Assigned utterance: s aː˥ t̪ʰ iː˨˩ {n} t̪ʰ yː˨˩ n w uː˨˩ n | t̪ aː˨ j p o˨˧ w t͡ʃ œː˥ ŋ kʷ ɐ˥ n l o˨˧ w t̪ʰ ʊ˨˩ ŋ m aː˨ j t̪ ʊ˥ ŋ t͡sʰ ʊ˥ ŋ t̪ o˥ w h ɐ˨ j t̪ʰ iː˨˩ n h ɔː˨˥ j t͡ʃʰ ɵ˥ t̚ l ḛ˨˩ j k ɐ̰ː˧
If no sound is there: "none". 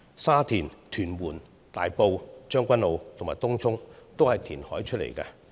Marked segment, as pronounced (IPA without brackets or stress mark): n